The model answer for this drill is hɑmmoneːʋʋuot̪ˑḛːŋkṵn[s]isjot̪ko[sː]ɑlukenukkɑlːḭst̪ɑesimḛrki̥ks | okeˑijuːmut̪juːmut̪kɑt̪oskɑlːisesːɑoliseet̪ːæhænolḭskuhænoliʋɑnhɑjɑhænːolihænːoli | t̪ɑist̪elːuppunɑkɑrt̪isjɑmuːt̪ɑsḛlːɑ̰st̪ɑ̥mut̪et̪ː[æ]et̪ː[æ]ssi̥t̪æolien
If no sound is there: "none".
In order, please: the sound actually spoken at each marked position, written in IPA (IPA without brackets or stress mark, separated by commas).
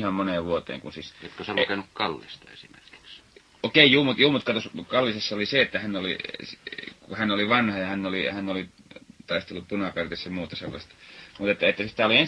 s, s, æ, æ